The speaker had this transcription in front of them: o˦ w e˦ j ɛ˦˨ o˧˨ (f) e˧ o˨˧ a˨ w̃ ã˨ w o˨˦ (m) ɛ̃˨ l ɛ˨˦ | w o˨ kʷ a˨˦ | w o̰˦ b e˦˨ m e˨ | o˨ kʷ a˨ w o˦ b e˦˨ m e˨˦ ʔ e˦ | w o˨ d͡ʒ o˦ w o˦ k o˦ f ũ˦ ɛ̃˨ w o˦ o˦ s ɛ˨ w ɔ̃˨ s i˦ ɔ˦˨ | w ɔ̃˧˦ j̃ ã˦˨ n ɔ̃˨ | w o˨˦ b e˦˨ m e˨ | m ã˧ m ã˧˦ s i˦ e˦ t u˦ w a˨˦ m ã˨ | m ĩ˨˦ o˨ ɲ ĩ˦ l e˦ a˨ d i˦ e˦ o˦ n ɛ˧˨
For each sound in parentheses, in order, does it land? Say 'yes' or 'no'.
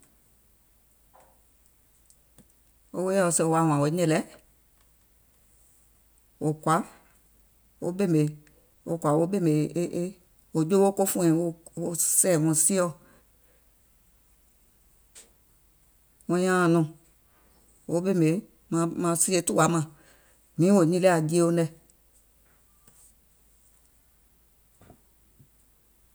no, no

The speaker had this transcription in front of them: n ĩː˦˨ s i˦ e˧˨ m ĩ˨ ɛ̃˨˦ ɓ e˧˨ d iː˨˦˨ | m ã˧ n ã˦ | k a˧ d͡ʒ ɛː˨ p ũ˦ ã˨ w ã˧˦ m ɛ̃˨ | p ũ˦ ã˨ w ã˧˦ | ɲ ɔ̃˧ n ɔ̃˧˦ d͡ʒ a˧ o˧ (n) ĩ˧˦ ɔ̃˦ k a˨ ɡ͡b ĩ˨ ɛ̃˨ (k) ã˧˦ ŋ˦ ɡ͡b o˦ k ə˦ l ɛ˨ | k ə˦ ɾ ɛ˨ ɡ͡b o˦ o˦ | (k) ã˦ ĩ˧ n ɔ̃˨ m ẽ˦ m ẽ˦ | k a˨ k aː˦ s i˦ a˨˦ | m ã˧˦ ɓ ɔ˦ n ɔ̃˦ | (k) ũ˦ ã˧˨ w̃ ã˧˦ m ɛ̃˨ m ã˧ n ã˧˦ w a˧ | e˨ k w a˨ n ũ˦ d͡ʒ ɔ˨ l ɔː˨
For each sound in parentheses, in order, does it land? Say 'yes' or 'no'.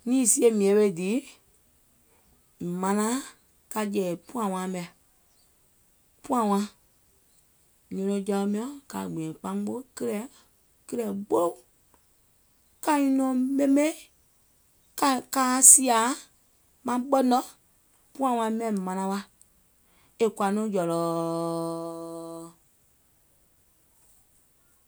no, no, yes, no

